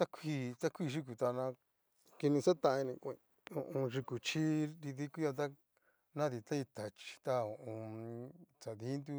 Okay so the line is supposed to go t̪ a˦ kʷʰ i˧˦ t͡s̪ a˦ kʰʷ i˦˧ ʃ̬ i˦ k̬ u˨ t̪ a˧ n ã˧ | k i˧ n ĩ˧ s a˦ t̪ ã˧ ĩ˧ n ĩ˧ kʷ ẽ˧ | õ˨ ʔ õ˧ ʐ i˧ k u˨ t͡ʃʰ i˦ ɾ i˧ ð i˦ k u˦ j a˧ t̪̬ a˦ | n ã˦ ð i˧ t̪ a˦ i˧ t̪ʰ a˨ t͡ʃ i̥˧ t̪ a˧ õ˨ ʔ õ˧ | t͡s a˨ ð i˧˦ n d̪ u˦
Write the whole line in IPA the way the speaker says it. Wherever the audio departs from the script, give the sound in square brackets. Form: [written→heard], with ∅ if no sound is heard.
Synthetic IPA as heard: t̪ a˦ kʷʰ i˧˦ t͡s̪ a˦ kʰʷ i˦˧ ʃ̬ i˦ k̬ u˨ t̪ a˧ n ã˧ | k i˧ n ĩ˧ s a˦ t̪ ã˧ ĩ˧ n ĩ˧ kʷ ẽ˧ | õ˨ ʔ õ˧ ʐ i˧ k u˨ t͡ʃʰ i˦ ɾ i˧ ð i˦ k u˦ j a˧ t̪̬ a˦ | n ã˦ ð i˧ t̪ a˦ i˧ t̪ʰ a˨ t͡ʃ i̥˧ t̪ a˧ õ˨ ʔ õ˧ | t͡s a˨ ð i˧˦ n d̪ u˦

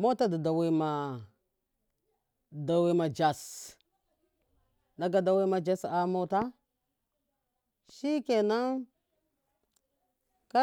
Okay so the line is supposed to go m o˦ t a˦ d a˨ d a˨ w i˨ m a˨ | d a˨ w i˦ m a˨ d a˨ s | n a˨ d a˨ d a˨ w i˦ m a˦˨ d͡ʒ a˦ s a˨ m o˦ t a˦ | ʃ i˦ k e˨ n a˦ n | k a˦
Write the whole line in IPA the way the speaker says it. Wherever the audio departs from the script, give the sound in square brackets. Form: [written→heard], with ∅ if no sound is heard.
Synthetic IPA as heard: m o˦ t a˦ d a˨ d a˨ w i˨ m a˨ | d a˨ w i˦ m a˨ [d→d͡ʒ] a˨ s | n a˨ [d→ɡ] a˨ d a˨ w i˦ m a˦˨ d͡ʒ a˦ s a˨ m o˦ t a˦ | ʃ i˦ k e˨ n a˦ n | k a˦

